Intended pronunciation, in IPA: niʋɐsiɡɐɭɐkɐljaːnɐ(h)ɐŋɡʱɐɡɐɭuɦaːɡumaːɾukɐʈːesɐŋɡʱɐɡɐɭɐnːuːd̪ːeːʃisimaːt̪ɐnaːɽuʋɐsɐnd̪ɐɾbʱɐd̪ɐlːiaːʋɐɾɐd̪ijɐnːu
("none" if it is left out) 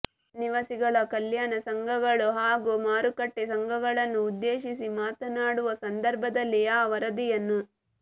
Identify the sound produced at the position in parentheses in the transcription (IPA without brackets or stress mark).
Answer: s